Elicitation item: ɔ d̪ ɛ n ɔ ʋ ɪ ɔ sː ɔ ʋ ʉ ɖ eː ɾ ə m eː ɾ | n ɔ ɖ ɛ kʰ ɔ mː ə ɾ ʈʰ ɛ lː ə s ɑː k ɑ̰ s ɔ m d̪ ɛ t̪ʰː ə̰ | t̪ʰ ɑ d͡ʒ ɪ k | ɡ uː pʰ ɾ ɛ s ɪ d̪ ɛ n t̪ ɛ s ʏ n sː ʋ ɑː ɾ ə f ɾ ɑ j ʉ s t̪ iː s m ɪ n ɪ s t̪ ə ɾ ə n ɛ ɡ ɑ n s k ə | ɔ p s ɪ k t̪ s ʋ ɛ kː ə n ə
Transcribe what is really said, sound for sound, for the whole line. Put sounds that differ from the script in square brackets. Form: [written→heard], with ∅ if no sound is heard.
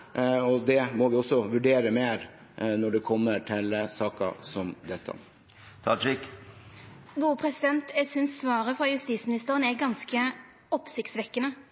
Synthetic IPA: ɔ d̪ ɛ [n→m] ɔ ʋ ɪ ɔ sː ɔ ʋ ʉ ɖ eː ɾ ə m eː ɾ | n ɔ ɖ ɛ kʰ ɔ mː ə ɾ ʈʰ ɛ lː ə s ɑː k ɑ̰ s ɔ m d̪ ɛ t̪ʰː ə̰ | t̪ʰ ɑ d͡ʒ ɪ k | ɡ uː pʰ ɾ ɛ s ɪ d̪ ɛ n t̪ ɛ s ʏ n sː ʋ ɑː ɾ ə f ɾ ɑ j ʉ s t̪ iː s m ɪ n ɪ s t̪ ə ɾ ə n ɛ ɡ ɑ n s k ə | ɔ p s ɪ k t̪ s ʋ ɛ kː ə n ə